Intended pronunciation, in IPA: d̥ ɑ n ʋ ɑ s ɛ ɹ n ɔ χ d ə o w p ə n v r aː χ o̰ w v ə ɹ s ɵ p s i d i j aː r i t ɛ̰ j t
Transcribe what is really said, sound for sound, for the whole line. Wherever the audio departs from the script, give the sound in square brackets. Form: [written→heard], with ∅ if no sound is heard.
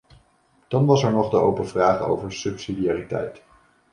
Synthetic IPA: d̥ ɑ n ʋ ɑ s ɛ ɹ n ɔ χ d ə o w p ə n v r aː χ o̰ w v ə ɹ s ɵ p s i d i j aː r i t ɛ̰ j t